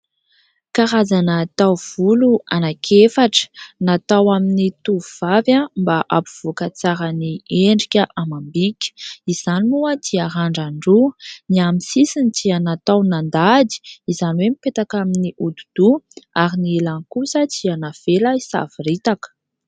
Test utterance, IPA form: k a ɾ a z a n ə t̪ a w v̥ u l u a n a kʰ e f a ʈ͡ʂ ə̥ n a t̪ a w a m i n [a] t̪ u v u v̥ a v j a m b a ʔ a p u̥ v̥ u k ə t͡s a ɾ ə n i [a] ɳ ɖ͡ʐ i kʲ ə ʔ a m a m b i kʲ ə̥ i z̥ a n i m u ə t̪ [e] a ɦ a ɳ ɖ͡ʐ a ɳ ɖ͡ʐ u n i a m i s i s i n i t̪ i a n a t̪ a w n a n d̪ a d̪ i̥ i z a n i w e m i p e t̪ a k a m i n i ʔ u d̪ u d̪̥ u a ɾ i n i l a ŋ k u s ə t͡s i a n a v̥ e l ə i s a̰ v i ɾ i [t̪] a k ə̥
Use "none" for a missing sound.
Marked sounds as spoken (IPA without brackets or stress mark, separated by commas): i, e, i, t̪